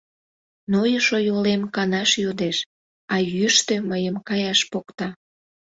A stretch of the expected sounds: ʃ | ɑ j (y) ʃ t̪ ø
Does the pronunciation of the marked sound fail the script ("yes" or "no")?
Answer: no